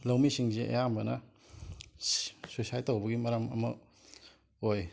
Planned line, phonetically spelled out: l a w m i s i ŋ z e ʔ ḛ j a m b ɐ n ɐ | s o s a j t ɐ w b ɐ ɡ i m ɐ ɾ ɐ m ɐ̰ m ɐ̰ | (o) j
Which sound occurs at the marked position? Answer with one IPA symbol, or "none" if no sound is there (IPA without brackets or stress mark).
o